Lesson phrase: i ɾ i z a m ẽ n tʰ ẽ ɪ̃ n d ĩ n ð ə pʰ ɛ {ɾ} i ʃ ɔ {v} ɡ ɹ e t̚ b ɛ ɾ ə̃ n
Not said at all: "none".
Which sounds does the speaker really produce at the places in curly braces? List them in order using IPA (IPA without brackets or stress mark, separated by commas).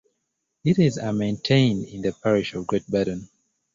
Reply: ɹ, v